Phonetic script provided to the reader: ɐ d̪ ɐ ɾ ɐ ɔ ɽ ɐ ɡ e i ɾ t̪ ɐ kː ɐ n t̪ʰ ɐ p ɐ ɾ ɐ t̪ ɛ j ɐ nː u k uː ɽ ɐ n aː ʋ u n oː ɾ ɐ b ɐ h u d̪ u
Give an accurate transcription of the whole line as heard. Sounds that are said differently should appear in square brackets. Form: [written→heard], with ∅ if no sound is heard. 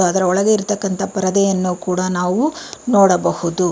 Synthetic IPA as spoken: ɐ d̪ ɐ ɾ ɐ ɔ [ɽ→ɭ] ɐ ɡ e i ɾ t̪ ɐ kː ɐ n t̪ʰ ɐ p ɐ ɾ ɐ [t̪→d̪] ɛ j ɐ nː u k uː ɽ ɐ n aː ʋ u n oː [ɾ→ɽ] ɐ b ɐ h u d̪ u